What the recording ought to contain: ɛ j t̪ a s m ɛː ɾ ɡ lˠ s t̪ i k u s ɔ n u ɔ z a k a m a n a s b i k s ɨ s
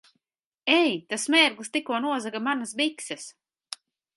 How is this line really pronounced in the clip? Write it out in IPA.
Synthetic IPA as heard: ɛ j t̪ a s m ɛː ɾ ɡ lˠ s t̪ i k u ɔ n u ɔ z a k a m a n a s b i k s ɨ s